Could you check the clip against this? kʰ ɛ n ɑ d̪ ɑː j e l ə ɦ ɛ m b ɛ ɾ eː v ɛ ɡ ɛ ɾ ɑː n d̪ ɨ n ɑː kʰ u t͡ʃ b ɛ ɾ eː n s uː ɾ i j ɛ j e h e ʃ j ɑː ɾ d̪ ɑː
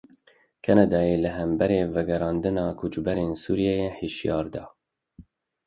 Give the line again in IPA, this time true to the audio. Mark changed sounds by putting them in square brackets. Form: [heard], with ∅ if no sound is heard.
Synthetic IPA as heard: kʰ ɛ n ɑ d̪ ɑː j e l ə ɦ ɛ m b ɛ ɾ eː v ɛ ɡ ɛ ɾ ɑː n d̪ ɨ n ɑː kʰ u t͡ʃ b ɛ ɾ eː n s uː ɾ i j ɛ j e h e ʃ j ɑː ɾ d̪ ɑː